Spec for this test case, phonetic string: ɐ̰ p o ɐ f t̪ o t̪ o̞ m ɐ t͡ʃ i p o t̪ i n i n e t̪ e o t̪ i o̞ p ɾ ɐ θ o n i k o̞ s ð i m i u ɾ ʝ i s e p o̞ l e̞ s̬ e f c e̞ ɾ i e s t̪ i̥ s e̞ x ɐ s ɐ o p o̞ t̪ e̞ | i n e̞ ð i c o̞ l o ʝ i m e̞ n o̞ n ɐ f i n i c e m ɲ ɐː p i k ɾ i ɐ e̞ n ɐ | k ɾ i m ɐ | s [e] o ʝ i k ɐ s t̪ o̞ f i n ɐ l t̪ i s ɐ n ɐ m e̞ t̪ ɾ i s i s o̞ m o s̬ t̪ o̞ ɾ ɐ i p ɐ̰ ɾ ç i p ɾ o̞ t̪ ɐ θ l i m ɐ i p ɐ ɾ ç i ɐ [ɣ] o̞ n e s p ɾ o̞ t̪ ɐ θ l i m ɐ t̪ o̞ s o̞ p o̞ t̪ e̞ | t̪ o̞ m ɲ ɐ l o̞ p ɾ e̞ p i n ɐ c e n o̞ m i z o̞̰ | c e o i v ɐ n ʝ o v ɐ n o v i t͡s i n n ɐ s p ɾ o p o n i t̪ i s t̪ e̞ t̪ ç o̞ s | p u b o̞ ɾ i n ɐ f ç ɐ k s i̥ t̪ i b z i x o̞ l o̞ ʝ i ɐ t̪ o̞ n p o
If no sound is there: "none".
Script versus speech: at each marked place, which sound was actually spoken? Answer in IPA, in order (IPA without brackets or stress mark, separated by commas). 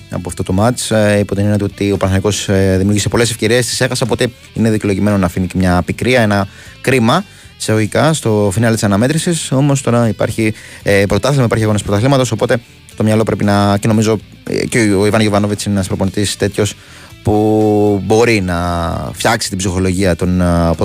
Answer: e, ɣ